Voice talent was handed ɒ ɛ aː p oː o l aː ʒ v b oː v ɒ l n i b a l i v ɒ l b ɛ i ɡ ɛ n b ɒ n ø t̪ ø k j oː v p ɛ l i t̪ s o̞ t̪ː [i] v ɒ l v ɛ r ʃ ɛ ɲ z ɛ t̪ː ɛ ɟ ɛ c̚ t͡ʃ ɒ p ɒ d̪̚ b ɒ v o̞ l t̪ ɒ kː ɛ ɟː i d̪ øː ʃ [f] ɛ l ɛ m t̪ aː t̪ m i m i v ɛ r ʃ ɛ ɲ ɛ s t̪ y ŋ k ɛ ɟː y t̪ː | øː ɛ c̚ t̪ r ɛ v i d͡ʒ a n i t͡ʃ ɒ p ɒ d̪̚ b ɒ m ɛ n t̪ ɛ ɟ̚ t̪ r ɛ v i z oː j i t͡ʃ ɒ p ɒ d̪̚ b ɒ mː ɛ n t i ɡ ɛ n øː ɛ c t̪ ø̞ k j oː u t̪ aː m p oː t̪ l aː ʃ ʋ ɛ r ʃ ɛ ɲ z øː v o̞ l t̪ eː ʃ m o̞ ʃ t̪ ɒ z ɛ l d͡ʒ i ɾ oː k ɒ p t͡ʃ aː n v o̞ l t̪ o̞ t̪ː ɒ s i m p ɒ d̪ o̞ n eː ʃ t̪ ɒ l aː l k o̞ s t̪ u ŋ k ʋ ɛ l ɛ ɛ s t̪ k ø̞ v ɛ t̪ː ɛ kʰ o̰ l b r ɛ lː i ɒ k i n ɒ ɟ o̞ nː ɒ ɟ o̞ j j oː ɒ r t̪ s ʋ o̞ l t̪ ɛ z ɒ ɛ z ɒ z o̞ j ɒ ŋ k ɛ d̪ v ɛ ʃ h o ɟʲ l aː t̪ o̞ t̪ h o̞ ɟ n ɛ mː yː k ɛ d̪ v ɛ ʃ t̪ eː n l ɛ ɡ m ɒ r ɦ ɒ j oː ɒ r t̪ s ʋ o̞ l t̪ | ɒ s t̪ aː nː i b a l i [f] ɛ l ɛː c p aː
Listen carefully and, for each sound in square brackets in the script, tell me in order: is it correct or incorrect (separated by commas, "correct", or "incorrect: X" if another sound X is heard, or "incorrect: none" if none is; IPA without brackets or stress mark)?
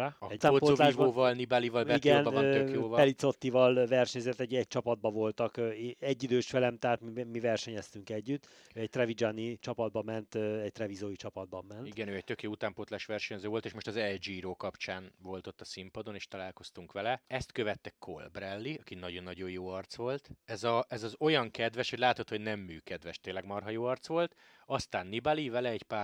correct, correct, incorrect: v